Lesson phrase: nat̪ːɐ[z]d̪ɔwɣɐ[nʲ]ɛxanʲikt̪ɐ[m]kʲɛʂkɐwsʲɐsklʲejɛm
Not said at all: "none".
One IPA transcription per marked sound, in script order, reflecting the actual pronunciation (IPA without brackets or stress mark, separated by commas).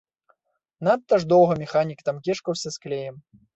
ʐ, mʲ, m